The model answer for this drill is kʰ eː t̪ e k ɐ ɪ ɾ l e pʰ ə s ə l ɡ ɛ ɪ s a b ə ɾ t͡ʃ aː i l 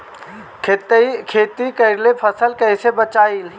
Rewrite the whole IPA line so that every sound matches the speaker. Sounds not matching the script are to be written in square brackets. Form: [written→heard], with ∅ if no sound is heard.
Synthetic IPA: kʰ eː t̪ [e→i] k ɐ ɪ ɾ l e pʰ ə s ə l [ɡ→k] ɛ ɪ s [a→e] b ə [ɾ→∅] t͡ʃ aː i l